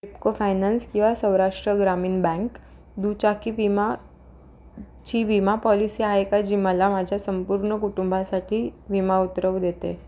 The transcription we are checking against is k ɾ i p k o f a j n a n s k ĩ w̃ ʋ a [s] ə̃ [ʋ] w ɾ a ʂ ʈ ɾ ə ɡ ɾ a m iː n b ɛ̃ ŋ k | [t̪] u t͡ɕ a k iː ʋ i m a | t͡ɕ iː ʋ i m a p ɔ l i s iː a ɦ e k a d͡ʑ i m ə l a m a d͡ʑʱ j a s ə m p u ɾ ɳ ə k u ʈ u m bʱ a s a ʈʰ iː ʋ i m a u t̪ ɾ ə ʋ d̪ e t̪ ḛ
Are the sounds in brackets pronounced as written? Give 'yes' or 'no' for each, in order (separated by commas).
yes, no, no